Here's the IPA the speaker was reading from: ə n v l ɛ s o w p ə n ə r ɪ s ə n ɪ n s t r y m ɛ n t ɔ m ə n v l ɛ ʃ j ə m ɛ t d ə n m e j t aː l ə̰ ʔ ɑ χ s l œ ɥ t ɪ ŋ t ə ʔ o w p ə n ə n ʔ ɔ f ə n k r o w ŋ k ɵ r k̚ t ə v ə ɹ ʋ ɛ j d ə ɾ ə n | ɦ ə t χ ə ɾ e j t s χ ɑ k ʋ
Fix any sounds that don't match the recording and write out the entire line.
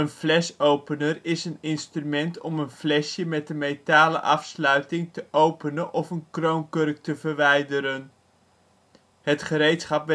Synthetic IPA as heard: ə n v l ɛ s o w p ə n ə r ɪ s ə n ɪ n s t r y m ɛ n t ɔ m ə n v l ɛ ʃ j ə m ɛ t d ə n m e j t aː l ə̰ ʔ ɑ f s l œ ɥ t ɪ ŋ t ə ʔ o w p ə n ə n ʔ ɔ f ə n k r o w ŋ k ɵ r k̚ t ə v ə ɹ ʋ ɛ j d ə ɾ ə n | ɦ ə t χ ə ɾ e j t s χ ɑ p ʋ